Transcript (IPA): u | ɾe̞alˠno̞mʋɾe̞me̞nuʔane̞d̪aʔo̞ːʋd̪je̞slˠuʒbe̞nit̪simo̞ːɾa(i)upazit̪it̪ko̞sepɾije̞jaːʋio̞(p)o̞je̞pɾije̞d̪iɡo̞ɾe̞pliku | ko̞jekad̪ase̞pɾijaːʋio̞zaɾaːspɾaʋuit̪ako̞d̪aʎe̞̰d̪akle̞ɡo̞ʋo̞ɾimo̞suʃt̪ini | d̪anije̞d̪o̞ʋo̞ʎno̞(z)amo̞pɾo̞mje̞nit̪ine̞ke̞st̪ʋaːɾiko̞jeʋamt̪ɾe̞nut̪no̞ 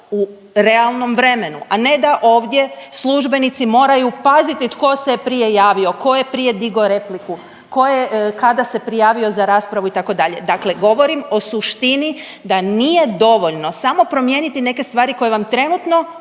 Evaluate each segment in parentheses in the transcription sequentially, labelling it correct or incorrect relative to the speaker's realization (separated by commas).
incorrect, incorrect, incorrect